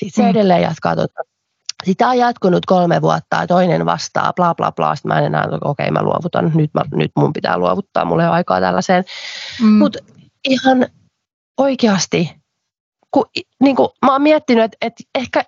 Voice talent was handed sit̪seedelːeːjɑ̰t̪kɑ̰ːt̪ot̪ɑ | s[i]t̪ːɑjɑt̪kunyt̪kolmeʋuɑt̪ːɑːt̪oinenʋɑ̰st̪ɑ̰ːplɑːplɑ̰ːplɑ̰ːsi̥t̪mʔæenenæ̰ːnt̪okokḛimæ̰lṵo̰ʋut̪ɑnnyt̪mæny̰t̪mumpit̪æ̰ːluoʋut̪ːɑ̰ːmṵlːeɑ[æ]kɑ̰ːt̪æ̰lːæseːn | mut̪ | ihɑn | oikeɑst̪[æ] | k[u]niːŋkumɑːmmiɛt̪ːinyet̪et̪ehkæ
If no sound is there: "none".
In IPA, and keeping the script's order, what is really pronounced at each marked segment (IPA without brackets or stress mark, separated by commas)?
i, i, i, u